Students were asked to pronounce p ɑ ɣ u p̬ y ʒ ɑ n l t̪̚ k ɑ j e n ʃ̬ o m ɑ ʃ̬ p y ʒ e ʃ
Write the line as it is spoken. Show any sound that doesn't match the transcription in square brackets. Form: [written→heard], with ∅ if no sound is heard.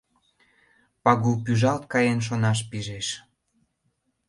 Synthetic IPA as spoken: p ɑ ɣ u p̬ y ʒ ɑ [n→∅] l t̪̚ k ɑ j e n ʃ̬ o [m→n] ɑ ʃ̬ p [y→i] ʒ e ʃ